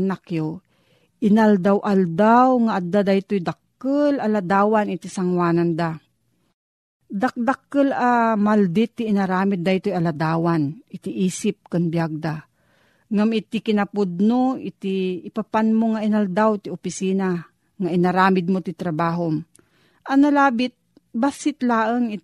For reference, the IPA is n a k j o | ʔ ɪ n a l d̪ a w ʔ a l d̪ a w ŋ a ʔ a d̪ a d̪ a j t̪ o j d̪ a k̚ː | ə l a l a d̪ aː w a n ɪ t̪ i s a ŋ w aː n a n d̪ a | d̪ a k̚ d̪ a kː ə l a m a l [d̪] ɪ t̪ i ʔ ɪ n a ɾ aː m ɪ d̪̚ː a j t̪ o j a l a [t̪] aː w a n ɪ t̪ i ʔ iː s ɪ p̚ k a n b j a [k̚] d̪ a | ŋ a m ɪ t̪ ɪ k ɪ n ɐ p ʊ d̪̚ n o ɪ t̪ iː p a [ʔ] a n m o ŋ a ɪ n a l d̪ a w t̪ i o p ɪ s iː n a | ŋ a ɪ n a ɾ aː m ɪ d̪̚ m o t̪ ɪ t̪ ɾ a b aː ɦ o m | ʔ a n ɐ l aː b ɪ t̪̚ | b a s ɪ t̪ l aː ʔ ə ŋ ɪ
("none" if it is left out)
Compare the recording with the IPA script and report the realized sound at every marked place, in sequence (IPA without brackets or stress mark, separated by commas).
d̪, d̪, ɡ̚, p